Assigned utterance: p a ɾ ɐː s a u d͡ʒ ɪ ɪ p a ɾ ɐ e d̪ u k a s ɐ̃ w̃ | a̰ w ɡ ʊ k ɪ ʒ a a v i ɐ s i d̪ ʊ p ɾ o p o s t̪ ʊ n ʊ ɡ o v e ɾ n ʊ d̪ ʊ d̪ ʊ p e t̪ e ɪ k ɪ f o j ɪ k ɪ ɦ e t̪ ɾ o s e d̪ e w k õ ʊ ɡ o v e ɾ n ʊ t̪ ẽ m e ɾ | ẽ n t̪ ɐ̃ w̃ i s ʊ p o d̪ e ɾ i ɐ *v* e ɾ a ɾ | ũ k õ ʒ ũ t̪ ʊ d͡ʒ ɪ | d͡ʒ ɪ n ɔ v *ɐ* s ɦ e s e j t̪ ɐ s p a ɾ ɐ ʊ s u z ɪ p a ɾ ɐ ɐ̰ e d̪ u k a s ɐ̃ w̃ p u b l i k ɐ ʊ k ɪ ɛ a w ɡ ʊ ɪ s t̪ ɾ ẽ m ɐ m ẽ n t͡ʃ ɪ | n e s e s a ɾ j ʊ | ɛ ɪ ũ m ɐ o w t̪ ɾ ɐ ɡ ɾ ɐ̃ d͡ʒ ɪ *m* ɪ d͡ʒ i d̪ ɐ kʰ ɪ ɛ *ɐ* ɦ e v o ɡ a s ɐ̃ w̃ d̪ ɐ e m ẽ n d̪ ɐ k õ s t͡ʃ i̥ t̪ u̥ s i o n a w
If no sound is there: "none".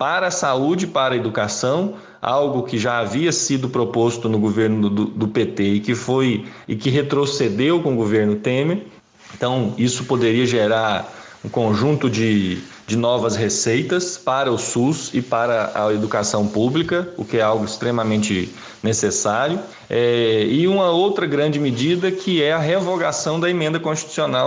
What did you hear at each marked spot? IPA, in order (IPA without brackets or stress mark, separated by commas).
ʒ, ɐ, m, ɐ